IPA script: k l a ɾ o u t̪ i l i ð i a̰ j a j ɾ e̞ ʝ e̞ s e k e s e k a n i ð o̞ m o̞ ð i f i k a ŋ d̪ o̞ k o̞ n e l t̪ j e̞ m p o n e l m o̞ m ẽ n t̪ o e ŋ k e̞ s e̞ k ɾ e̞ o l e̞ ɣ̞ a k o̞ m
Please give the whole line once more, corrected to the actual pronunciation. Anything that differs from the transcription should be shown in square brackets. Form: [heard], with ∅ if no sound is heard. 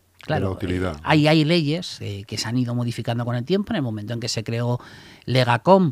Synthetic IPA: k l a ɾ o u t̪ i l i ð [a] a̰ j a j [l] e̞ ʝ e̞ s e k e s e [∅] a n i ð o̞ m o̞ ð i f i k a [n] d̪ o̞ k o̞ n e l t̪ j e̞ m p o n e l m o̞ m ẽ n t̪ o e ŋ k e̞ s e̞ k ɾ e̞ o l e̞ ɣ̞ a k o̞ m